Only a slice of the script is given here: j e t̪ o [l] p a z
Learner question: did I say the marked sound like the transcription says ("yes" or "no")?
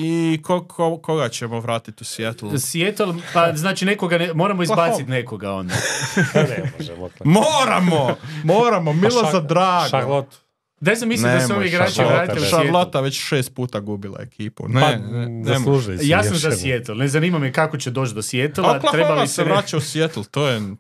yes